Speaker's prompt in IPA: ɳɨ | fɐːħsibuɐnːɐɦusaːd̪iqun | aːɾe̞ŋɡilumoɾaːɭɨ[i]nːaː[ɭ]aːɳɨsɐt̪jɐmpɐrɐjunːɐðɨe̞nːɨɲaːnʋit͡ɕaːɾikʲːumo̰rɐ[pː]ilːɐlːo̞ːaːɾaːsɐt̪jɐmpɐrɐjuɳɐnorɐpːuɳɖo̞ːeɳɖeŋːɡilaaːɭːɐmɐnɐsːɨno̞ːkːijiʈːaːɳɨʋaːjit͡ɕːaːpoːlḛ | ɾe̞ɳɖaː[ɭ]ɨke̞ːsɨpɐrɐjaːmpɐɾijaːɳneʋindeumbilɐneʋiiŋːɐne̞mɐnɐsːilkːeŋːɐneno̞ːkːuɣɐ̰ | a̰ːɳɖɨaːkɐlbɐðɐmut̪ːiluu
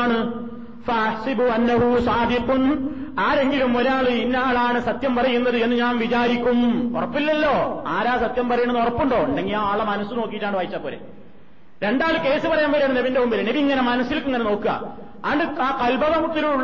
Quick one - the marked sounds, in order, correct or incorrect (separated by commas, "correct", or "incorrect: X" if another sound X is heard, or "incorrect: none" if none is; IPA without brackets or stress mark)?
correct, correct, correct, correct